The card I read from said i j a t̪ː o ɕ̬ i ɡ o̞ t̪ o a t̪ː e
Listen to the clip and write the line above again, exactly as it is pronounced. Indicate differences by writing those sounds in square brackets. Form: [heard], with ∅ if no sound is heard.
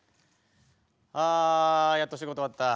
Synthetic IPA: [a] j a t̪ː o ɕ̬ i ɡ o̞ t̪ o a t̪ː [a]